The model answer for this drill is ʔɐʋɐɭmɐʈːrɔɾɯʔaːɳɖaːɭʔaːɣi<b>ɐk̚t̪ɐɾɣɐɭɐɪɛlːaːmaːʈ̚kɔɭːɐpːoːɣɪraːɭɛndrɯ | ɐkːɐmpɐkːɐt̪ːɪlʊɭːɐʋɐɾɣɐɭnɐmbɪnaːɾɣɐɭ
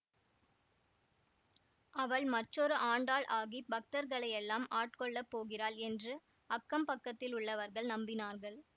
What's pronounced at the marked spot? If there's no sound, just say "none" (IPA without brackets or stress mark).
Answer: b